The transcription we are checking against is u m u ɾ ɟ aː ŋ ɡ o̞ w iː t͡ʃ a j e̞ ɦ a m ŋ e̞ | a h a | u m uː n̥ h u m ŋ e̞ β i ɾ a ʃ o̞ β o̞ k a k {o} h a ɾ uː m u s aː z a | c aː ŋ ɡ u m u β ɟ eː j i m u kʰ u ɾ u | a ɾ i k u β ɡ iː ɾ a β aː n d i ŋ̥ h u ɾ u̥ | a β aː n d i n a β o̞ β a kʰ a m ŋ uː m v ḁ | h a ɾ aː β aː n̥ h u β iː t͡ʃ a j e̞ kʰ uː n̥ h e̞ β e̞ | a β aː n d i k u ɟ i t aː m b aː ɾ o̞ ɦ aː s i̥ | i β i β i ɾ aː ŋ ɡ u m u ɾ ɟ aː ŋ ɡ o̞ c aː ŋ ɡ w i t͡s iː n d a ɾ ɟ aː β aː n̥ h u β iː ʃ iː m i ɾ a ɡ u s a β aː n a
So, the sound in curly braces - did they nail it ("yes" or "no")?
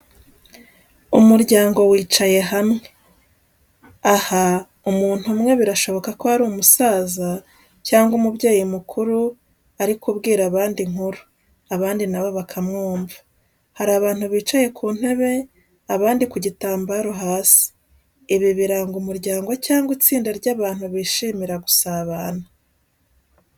yes